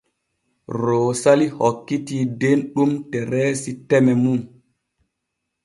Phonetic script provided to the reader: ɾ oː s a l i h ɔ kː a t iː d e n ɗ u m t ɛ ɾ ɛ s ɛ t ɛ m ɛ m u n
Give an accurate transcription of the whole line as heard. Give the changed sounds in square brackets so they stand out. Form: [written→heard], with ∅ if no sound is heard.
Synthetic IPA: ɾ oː s a l i h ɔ kː [a→i] t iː d e n ɗ u m t ɛ ɾ ɛ s [ɛ→i] t ɛ m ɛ m u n